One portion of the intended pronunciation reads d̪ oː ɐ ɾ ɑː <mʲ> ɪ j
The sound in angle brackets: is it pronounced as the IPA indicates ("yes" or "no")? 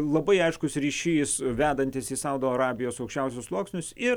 no